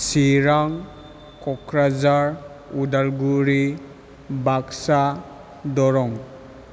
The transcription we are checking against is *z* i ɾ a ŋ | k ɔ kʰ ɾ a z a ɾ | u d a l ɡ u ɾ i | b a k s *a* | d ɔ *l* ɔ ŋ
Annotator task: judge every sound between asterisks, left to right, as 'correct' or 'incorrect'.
incorrect: s, correct, incorrect: ɾ

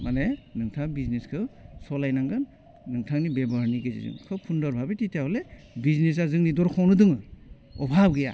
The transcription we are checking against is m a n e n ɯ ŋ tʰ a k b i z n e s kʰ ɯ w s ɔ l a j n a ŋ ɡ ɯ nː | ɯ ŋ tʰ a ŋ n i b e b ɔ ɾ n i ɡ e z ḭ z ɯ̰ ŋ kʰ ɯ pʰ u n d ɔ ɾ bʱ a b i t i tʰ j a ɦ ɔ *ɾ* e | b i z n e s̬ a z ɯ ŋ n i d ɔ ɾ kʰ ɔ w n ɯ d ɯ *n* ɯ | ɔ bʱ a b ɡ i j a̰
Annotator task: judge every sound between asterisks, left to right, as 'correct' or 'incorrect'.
incorrect: l, incorrect: ŋ

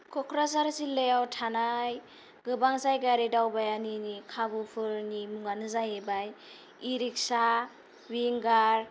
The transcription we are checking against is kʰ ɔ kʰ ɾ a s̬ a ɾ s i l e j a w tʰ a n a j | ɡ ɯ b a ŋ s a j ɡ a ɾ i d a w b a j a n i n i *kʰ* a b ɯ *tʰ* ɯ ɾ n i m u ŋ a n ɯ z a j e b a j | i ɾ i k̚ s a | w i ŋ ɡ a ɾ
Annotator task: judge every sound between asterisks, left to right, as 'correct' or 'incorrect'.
correct, incorrect: pʰ

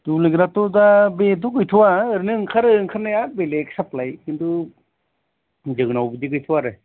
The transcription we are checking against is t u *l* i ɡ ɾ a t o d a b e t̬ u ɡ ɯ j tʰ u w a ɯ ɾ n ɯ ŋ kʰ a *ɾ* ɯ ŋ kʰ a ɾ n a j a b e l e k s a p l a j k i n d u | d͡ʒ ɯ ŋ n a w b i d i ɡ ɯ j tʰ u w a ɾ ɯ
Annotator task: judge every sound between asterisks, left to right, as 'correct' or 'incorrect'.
correct, correct

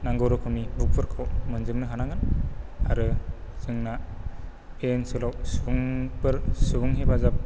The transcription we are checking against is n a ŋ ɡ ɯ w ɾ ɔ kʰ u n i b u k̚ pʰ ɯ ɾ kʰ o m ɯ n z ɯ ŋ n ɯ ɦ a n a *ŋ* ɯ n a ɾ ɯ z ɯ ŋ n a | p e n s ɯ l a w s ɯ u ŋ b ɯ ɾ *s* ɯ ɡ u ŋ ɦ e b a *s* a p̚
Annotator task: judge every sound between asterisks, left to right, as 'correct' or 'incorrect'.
correct, correct, incorrect: z

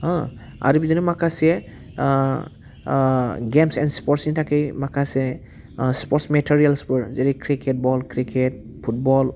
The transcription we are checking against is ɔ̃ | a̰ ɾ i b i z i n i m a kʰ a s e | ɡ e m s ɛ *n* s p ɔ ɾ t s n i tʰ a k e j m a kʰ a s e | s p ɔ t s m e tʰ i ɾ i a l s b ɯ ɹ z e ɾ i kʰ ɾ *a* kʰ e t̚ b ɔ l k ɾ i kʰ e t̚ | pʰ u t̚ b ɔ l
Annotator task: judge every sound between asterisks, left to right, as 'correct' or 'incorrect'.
correct, incorrect: i

